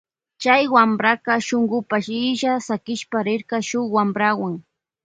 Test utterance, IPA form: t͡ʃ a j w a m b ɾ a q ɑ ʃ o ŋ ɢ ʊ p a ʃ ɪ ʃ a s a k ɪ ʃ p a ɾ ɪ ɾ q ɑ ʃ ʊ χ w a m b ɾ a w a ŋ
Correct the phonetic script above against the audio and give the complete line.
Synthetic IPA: t͡ʃ a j w a m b ɾ a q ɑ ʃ o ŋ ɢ ʊ p a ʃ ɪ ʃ a s a k ɪ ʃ p a ɾ ɪ ɾ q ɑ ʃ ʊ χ w a m b ɾ a w a ŋ